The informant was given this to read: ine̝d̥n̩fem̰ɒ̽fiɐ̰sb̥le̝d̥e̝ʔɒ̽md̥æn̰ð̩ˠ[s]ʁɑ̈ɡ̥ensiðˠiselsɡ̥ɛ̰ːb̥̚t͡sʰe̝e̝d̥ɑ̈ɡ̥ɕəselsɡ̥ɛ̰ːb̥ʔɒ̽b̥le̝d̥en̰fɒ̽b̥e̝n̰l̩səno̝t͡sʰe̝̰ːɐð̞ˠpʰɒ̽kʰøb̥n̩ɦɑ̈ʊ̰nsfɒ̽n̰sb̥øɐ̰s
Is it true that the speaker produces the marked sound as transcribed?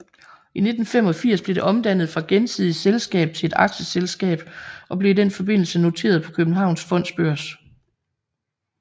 no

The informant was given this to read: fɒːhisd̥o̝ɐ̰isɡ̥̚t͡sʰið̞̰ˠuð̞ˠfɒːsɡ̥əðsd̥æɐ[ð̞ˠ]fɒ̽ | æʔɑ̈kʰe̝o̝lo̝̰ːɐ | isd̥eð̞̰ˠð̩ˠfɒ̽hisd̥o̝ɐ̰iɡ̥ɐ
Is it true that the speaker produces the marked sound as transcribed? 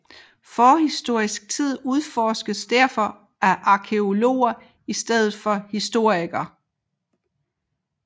no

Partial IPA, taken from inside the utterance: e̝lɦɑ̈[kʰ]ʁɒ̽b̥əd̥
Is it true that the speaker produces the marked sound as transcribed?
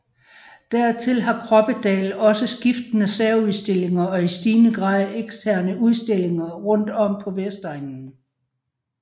yes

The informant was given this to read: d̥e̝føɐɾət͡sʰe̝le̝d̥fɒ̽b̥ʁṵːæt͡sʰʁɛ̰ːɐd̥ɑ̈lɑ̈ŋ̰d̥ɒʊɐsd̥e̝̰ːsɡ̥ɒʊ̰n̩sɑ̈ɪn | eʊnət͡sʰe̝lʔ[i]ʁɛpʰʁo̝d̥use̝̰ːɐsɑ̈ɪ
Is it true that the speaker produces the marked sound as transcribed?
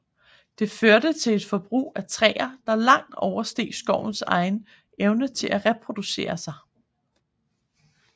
no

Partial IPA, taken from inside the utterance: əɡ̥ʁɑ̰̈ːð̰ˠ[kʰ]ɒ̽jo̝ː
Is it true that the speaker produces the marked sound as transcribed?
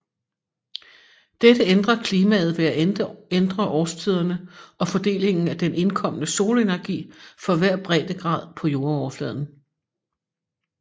no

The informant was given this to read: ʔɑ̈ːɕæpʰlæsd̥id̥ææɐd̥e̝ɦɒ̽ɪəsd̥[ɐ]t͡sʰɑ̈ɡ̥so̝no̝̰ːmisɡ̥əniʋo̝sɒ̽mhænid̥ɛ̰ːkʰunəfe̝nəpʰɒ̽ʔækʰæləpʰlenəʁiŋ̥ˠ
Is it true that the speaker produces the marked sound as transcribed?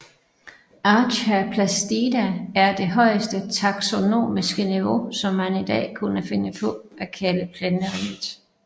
no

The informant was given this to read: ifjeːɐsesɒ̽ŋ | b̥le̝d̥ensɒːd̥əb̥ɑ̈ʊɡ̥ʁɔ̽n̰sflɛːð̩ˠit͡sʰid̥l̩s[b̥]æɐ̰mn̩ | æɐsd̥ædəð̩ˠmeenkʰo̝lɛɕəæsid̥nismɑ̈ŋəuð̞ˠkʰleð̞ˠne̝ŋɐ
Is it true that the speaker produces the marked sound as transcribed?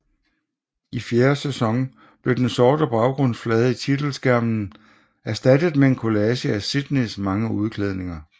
no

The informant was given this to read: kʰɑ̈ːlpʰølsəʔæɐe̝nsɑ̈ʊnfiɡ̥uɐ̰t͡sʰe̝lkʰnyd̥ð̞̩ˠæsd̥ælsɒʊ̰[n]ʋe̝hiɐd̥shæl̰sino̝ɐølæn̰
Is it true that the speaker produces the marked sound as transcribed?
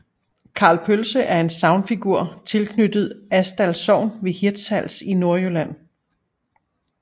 yes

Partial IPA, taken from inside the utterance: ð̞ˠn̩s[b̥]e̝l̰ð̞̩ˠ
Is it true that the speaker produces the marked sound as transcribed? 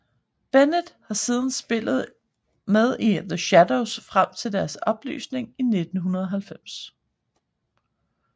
yes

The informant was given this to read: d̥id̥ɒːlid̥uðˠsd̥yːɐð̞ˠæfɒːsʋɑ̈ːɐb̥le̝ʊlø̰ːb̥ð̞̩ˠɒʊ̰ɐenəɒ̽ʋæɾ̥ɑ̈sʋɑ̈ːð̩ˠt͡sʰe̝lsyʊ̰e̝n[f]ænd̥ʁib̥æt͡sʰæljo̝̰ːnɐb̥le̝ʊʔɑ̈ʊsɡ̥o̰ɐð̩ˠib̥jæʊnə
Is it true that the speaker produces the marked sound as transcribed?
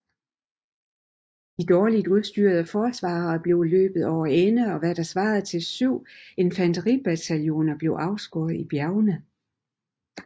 yes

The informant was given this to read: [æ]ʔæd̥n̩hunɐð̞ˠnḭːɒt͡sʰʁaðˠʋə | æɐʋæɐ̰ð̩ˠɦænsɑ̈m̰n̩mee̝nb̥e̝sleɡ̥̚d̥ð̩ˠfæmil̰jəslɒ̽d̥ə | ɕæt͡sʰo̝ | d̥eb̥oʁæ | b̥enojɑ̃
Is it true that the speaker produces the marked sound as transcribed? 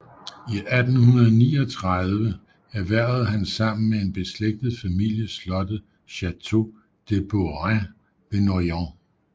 no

